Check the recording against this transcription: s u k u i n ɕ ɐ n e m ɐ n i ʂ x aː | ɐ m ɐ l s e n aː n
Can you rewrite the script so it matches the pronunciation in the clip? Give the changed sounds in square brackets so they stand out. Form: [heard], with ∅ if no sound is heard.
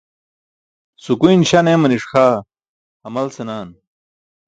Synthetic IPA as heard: s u k u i n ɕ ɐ n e m ɐ n i ʂ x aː | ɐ m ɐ l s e n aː n

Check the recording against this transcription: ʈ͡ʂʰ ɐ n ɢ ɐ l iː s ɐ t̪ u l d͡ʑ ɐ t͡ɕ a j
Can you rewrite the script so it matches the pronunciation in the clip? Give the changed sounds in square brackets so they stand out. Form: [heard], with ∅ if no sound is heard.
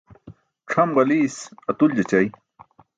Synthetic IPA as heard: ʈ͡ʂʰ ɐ [m] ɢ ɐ l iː s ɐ t̪ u l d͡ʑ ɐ t͡ɕ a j

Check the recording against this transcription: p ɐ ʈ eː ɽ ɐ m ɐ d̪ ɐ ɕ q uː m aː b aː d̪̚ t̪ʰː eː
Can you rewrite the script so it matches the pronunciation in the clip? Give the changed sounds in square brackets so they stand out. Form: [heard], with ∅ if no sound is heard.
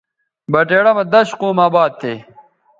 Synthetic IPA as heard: [b] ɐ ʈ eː ɽ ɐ m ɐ d̪ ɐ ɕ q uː m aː b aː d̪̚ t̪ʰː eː

